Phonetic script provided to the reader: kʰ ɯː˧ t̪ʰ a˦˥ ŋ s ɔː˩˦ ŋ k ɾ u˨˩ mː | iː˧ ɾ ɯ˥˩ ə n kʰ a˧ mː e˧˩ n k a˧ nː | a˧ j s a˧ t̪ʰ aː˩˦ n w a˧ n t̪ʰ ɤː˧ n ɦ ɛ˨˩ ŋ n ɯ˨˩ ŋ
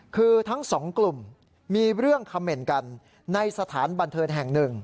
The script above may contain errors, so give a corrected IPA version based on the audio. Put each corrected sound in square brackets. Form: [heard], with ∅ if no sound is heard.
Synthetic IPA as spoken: kʰ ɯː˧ t̪ʰ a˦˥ ŋ s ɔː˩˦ ŋ k [l] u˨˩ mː | iː˧ ɾ ɯ˥˩ ə [ŋ] kʰ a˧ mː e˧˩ n k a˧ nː | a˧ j s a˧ t̪ʰ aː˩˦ n [b] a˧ n t̪ʰ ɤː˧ n ɦ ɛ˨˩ ŋ n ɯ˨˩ ŋ